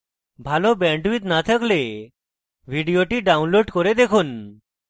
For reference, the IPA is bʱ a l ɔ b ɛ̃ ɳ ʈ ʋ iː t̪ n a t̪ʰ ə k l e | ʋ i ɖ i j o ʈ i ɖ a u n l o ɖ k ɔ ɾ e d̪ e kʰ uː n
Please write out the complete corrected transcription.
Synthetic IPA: bʱ a l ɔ b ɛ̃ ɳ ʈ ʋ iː t̪ n a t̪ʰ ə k l e | ʋ i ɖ i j o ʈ i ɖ a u n l o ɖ k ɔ ɾ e d̪ e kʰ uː n